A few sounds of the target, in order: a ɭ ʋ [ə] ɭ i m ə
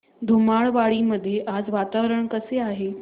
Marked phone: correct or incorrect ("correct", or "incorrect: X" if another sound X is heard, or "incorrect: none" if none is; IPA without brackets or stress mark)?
incorrect: a